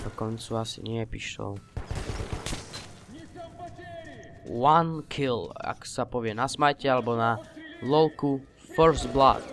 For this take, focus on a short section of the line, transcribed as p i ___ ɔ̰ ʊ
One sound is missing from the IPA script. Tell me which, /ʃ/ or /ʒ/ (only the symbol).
ʃ